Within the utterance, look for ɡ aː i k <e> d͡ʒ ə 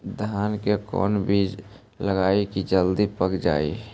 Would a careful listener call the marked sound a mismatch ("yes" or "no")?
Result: yes